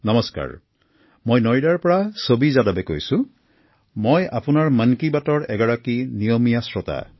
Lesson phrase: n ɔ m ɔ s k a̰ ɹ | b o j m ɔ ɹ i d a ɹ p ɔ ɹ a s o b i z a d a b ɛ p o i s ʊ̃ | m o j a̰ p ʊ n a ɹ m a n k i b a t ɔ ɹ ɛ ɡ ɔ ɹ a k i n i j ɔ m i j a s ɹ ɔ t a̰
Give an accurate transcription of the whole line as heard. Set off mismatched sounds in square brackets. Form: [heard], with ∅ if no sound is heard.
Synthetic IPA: n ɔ m ɔ s k a̰ ɹ | [m] o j [n] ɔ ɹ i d a ɹ p ɔ ɹ a s o b i z a d a b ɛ [k] o [j] s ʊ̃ | m o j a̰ p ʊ n a ɹ m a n k i b a t ɔ ɹ ɛ ɡ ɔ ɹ a k i n i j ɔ m i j a s ɹ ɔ t a̰

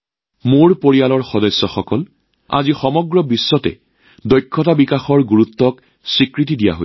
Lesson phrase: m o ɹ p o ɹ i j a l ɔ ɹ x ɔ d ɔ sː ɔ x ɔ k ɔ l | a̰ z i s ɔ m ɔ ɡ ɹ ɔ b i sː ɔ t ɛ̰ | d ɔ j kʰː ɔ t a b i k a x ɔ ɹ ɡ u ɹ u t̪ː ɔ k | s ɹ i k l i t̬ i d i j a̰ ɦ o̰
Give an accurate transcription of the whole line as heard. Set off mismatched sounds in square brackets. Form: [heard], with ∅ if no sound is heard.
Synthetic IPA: m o ɹ p o ɹ i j a l ɔ ɹ x ɔ d ɔ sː ɔ x ɔ k ɔ l | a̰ z i [x] ɔ m ɔ ɡ ɹ ɔ b i sː ɔ t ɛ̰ | d ɔ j kʰː ɔ t a b i k a x ɔ ɹ ɡ u ɹ u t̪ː ɔ k | s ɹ i k [ɹ] i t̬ i d i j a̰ ɦ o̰

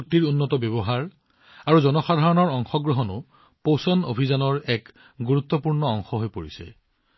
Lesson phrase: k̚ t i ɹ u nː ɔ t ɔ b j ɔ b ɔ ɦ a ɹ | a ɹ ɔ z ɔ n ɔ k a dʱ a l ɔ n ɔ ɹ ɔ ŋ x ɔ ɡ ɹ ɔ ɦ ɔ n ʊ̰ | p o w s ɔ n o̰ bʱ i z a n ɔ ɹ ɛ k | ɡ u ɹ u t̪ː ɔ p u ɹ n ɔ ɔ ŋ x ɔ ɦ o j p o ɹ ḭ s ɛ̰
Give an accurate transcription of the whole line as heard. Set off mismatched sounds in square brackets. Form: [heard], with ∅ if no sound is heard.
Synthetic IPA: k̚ t i ɹ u nː ɔ t ɔ b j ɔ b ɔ ɦ a ɹ | a ɹ [u] z ɔ n ɔ [x] a dʱ a [ɹ] ɔ n ɔ ɹ ɔ ŋ x ɔ ɡ ɹ ɔ ɦ ɔ n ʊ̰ | p o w s ɔ n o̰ bʱ i z a n ɔ ɹ ɛ k | ɡ u ɹ u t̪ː ɔ p u ɹ n ɔ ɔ ŋ x ɔ ɦ o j p o ɹ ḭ s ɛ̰

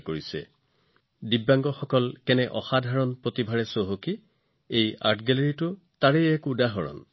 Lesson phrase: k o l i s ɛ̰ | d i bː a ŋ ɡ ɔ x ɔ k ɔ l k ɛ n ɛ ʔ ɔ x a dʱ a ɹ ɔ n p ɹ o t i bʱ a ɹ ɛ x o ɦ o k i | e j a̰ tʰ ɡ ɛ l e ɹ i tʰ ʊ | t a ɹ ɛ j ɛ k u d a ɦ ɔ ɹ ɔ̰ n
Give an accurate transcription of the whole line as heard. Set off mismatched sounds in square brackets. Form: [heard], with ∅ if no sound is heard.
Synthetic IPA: k o [ɹ] i s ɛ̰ | d i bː a ŋ ɡ ɔ x ɔ k ɔ l k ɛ n ɛ ʔ ɔ x a dʱ a ɹ ɔ n p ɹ o t i bʱ a ɹ ɛ [s] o ɦ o k i | e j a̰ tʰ ɡ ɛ l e ɹ i [t] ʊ | t a ɹ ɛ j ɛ k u d a ɦ ɔ ɹ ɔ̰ n

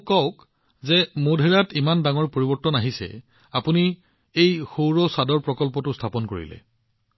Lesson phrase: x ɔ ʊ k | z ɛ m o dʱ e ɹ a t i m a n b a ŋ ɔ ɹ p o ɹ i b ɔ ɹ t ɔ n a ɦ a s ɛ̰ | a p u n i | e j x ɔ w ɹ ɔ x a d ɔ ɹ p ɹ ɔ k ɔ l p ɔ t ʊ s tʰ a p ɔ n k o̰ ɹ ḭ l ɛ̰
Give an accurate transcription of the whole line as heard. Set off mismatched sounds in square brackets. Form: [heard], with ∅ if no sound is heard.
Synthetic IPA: [k] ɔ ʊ k | z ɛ m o dʱ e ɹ a t i m a n [d] a ŋ ɔ ɹ p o ɹ i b ɔ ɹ t ɔ n a ɦ [i] s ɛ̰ | a p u n i | e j x [o] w ɹ ɔ [s] a d ɔ ɹ p ɹ ɔ k ɔ l p ɔ t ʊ s tʰ a p ɔ n k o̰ ɹ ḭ l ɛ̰

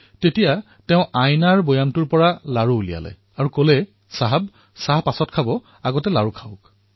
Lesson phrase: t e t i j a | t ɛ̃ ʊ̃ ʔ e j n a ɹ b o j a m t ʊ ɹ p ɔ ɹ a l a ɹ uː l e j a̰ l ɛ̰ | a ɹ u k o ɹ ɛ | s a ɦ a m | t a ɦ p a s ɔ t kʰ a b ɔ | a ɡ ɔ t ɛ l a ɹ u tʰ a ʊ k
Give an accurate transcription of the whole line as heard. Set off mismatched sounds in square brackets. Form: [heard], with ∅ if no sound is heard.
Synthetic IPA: t e t i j a | t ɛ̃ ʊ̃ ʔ [a] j n a ɹ b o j a m t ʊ ɹ p ɔ ɹ a l a ɹ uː l [i] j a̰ l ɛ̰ | a ɹ u k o [l] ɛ | s a ɦ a [b] | [s] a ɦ p a s ɔ t kʰ a b ɔ | a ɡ ɔ t ɛ l a ɹ u [kʰ] a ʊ k

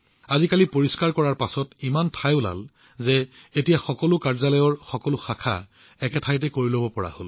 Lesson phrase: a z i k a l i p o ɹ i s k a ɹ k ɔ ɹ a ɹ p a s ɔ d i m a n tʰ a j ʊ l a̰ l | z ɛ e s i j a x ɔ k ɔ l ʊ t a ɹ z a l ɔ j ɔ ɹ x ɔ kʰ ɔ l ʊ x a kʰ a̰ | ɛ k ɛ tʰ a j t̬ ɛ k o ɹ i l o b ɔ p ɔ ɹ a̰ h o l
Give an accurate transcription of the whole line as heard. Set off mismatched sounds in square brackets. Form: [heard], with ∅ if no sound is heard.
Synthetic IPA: a z i k a l i p o ɹ i s k a ɹ k ɔ ɹ a ɹ p a s ɔ [t] i m a n tʰ a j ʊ l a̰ l | z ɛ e [t] i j a x ɔ k ɔ l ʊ [k] a ɹ z a l ɔ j ɔ ɹ x ɔ [k] ɔ l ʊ x a kʰ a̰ | ɛ k ɛ tʰ a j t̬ ɛ k o ɹ i l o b ɔ p ɔ ɹ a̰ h o l

